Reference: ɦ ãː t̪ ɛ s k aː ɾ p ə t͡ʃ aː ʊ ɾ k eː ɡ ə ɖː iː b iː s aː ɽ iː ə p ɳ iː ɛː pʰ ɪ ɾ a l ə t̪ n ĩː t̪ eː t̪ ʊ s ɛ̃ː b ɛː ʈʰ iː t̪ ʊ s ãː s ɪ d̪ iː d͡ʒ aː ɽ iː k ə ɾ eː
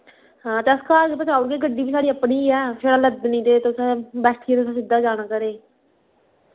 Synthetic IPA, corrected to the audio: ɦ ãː t̪ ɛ s k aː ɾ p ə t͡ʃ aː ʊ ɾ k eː ɡ ə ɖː iː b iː s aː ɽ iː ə p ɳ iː ɛː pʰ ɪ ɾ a l ə d̪ n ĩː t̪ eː t̪ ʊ s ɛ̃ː b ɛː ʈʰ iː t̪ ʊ s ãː s ɪ d̪ aː d͡ʒ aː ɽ aː k ə ɾ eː